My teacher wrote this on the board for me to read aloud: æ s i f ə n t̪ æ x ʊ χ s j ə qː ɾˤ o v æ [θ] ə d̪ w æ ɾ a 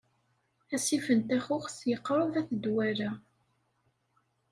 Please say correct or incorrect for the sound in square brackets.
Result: correct